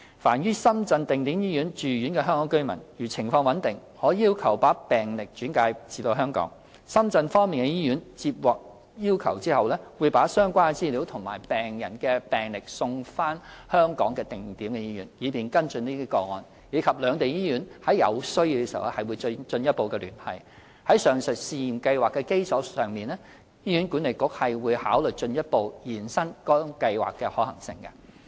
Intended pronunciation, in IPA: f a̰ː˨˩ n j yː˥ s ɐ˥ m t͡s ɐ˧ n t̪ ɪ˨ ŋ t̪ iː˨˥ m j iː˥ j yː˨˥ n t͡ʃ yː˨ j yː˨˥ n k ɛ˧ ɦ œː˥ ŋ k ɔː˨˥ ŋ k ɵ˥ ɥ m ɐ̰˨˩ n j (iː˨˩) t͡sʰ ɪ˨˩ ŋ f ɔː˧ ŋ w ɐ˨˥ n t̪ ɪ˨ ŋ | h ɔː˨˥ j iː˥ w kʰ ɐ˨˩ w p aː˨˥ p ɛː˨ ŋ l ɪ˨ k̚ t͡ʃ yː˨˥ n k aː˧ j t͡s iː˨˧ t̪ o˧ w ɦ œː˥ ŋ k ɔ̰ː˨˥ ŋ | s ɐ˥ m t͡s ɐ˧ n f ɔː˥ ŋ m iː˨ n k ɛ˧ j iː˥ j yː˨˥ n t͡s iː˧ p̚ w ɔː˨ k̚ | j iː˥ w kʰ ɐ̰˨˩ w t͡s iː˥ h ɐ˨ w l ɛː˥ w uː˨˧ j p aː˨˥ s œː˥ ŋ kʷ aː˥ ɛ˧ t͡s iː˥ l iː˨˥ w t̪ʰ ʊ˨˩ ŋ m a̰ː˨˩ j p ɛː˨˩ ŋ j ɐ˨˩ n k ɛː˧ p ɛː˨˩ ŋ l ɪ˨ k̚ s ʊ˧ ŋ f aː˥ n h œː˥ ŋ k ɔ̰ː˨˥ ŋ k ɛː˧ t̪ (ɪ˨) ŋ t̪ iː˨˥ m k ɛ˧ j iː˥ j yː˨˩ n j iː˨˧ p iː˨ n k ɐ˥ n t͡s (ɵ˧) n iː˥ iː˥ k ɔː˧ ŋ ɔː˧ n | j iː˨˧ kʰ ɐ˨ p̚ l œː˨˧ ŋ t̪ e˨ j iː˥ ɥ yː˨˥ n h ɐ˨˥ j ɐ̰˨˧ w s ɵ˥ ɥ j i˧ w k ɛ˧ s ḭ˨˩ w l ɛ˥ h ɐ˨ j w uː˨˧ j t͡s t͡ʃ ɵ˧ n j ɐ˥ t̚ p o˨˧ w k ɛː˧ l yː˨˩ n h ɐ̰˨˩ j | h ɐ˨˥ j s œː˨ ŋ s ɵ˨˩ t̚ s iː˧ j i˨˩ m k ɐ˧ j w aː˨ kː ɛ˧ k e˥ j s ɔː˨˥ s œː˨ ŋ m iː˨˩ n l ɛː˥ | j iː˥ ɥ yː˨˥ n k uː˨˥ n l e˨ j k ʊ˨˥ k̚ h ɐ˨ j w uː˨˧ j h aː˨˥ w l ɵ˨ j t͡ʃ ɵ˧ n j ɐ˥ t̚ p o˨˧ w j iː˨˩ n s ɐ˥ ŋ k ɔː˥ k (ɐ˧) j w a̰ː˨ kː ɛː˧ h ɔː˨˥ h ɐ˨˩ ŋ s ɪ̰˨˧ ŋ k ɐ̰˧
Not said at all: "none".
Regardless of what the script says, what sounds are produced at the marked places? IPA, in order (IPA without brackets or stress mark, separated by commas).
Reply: yː˨˩, ɪ˨, ɵ˧, ɐ˧